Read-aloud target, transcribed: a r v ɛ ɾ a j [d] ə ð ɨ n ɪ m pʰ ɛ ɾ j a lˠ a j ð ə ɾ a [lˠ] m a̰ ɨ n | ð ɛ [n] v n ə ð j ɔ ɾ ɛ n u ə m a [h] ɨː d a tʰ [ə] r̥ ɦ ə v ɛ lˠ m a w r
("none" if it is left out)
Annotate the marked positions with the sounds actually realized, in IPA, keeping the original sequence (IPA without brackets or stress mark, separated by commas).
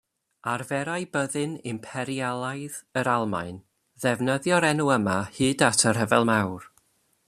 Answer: b, lˠ, none, h, ə